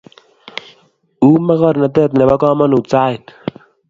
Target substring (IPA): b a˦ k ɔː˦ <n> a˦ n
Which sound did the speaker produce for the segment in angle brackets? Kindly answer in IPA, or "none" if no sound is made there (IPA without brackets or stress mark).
m